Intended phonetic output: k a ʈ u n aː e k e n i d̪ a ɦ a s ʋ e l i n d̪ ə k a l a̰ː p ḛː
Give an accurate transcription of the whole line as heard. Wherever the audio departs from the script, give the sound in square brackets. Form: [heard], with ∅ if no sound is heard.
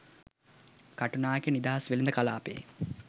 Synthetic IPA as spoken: k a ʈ u n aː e k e n i d̪ a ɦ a s ʋ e l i n d̪ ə k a l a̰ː p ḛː